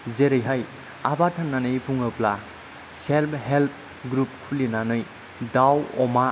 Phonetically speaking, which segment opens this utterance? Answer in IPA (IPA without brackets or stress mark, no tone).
z